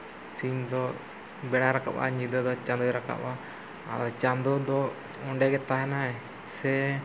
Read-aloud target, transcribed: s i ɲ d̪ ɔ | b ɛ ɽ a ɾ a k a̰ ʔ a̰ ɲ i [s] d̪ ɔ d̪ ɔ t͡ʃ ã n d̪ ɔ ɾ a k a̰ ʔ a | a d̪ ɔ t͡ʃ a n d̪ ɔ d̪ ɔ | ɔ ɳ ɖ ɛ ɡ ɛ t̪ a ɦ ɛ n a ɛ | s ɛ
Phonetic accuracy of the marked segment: incorrect: none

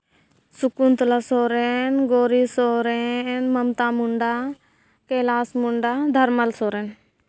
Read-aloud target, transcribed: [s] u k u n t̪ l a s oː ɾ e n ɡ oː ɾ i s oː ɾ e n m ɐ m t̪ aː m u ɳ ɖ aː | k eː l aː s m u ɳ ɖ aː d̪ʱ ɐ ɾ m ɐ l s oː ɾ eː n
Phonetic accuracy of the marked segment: correct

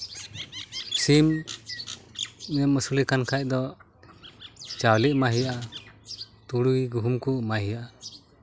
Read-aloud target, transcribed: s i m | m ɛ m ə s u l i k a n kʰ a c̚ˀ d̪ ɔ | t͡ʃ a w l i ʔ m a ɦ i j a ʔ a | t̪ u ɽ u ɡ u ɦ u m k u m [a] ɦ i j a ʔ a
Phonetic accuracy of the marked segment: correct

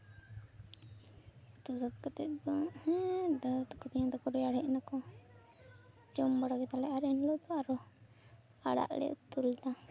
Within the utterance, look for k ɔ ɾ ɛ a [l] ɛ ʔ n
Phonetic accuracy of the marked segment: incorrect: ɽ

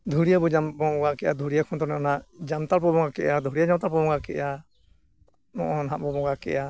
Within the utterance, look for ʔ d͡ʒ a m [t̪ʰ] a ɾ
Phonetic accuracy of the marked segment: incorrect: t̪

